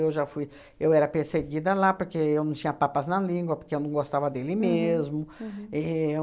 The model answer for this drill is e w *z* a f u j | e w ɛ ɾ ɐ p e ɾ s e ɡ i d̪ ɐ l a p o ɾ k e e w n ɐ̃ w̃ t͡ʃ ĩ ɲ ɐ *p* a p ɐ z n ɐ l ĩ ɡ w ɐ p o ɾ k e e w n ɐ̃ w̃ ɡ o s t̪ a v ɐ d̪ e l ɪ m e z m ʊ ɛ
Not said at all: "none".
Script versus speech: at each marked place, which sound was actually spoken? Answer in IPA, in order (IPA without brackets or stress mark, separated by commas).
ʒ, p